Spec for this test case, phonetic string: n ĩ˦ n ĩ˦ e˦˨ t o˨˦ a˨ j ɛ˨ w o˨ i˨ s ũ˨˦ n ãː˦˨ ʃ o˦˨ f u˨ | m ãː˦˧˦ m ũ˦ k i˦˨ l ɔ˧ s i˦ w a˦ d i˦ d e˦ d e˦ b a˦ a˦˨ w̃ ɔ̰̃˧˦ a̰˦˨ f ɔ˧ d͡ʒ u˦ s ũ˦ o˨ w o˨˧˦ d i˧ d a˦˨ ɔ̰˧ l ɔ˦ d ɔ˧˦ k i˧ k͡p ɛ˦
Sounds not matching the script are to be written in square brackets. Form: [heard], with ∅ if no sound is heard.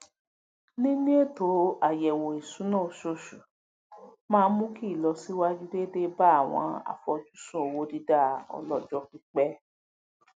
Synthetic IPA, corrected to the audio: n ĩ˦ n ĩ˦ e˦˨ t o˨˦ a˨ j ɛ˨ w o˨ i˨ s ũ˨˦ n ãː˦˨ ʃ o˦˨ [ʃ] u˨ | m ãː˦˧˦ m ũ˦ k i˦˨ l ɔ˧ s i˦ w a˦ [d͡ʒ] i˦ d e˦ d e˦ b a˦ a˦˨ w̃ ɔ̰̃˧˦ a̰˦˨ f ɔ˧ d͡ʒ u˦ s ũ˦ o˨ w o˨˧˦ d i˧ d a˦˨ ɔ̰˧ l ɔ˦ [d͡ʒ] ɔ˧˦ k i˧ k͡p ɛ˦